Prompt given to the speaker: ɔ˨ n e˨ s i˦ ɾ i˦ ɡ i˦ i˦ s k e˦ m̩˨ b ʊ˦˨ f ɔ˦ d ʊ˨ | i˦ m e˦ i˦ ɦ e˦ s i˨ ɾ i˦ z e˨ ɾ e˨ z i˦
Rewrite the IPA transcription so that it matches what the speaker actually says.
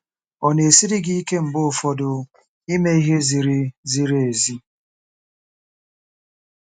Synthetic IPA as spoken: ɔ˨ n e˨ s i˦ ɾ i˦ ɡ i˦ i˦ k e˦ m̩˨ b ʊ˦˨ f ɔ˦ d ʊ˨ | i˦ m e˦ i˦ ɦ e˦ z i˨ ɾ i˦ z i˨ ɾ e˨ z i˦